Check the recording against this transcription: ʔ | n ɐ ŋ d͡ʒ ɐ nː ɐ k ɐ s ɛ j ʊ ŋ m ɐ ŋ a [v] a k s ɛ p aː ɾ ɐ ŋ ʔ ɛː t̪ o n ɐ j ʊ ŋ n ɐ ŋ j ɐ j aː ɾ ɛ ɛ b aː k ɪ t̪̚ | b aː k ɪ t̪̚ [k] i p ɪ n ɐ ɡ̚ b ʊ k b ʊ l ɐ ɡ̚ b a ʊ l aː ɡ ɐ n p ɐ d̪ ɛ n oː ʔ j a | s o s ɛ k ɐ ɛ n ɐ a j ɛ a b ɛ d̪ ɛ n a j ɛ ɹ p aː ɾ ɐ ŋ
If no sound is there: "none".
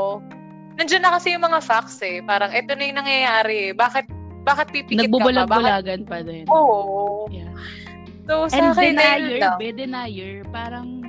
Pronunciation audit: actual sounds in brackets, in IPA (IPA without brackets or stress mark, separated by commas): f, p